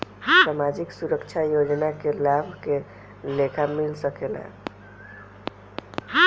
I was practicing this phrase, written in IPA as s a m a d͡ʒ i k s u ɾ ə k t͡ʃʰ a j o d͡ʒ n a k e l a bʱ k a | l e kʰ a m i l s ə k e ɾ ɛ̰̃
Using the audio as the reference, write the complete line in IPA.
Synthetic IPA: s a m a d͡ʒ i k s u ɾ ə k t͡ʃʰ a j o d͡ʒ n a k e l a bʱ k e | l e kʰ a m i l s ə k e l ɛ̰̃